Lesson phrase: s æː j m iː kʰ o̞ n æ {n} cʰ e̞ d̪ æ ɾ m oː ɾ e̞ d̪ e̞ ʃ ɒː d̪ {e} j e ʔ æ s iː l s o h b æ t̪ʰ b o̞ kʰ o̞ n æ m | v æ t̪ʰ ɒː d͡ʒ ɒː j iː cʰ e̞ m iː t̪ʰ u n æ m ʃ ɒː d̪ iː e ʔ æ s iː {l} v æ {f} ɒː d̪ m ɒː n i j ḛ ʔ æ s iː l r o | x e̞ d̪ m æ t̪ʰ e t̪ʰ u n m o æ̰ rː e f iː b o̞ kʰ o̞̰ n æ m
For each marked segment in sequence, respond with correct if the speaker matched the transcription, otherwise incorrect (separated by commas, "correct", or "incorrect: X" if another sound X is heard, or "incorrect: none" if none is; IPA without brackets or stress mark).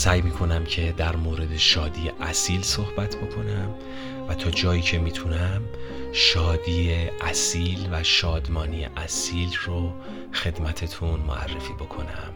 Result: incorrect: m, incorrect: i, correct, incorrect: ʃ